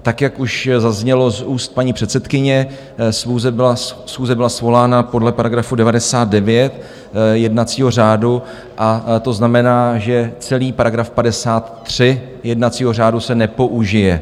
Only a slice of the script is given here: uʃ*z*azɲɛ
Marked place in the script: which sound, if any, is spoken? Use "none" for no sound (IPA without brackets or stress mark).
z